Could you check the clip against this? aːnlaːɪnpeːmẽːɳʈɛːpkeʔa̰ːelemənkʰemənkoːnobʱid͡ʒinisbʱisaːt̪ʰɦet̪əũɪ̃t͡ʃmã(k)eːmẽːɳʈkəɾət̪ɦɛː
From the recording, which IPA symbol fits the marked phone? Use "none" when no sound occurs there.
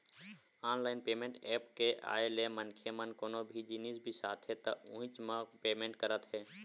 p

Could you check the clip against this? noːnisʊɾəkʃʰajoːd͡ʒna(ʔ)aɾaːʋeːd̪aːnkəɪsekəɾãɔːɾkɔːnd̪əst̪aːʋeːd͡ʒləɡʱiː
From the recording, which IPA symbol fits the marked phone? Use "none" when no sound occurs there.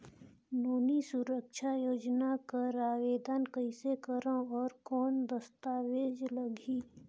k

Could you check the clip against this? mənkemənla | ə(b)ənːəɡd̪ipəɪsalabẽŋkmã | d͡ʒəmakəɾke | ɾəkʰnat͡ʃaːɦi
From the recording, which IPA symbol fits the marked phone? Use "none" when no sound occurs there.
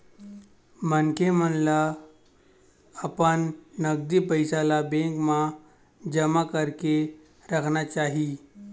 p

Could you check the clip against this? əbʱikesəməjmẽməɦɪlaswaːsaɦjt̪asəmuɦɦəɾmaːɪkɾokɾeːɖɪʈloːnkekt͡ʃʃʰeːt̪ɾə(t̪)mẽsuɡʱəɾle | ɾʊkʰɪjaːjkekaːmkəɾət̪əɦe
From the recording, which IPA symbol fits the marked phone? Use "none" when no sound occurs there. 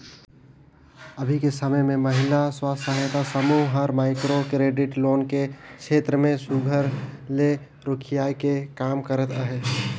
none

